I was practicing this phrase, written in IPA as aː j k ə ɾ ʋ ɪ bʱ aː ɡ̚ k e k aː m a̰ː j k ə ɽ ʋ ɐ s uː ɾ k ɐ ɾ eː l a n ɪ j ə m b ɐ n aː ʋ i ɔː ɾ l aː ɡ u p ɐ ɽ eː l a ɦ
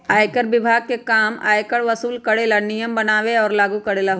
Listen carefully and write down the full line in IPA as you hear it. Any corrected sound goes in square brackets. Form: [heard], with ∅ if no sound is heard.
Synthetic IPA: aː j k ə ɾ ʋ ɪ bʱ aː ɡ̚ k e k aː m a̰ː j k ə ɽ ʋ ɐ s uː [l] k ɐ [ɽ] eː l a n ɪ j ə m b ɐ n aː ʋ [e] ɔː ɾ l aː ɡ u [k] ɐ ɽ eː l a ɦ